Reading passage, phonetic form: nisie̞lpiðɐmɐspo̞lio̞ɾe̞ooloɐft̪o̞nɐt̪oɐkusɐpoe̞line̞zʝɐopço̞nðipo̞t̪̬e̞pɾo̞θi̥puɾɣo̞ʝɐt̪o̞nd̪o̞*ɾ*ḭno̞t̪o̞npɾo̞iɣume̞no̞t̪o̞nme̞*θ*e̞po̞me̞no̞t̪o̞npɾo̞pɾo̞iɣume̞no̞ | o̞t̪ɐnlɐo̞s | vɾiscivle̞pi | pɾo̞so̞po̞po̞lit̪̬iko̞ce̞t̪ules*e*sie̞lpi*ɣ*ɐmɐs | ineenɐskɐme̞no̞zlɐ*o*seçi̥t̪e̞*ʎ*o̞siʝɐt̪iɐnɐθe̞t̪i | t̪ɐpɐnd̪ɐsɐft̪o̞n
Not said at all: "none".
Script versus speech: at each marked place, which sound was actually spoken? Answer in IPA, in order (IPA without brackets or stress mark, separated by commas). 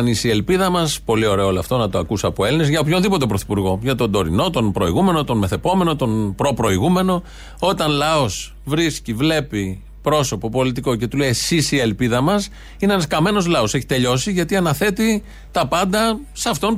ɾ, θ, i, ð, o, ʎ